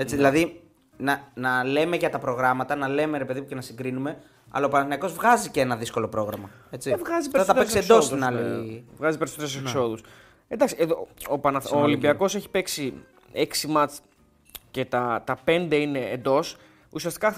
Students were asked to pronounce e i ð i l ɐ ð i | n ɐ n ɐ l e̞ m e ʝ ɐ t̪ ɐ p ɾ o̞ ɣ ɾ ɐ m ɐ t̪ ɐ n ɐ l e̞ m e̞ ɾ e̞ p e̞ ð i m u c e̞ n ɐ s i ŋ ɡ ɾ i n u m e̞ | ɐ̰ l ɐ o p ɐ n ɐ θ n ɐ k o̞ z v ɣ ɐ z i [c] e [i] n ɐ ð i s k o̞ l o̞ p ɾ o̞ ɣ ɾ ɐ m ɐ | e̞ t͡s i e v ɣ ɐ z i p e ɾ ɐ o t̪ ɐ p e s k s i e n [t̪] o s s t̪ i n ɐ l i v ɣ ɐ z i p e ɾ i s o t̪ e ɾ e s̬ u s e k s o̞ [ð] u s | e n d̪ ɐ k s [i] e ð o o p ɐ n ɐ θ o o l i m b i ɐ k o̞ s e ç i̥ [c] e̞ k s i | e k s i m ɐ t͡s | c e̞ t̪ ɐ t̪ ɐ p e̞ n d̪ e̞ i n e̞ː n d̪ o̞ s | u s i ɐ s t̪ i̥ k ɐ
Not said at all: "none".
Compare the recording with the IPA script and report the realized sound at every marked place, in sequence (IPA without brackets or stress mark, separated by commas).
c, e, d̪, ð, i, p